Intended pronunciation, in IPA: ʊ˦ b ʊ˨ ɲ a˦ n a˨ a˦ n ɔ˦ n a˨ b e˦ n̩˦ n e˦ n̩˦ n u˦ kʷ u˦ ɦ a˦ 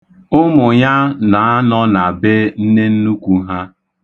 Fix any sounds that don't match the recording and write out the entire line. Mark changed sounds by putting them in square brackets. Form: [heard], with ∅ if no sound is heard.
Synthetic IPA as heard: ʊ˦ [m] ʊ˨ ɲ a˦ n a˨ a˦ n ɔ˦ n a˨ b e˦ n̩˦ n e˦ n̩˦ n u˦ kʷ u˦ ɦ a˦

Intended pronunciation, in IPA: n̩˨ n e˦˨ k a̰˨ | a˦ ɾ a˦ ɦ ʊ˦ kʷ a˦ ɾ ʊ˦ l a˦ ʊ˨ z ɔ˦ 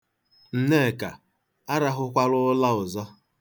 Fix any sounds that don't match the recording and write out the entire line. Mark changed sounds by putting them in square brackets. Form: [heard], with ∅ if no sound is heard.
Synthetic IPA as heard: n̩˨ n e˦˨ k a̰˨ | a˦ ɾ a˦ ɦ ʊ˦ kʷ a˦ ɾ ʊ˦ l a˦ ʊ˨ z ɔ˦

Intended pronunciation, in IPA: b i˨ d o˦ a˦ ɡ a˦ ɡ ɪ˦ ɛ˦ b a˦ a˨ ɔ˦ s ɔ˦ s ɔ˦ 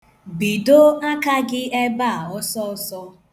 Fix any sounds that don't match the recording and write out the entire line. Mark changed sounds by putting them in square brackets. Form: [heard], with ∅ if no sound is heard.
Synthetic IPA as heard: b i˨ d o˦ a˦ [k] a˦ ɡ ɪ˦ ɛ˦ b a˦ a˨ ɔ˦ s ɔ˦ s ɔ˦

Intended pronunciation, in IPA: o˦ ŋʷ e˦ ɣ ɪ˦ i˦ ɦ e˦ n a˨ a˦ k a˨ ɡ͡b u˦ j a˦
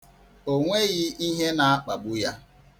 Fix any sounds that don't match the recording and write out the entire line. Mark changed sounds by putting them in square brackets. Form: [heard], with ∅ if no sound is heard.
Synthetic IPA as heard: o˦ ŋʷ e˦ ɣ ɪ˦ i˦ ɦ e˦ n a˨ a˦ [k͡p] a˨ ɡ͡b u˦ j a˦

